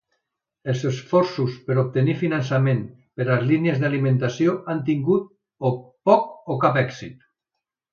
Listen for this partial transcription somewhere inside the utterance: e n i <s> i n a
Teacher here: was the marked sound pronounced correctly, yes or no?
no